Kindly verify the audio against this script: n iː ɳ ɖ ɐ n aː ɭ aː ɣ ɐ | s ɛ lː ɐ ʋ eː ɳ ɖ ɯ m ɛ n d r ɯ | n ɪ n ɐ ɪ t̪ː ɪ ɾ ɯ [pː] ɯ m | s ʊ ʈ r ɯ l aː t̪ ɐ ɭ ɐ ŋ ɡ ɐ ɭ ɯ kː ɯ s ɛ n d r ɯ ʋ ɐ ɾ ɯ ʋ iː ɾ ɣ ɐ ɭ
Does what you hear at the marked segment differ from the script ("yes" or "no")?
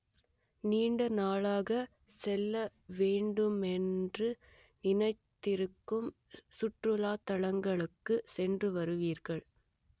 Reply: yes